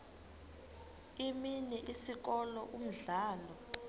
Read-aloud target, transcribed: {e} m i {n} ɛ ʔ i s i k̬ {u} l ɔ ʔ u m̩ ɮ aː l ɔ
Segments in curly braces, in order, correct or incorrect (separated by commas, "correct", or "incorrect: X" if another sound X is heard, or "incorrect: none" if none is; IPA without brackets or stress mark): incorrect: i, correct, incorrect: ɔ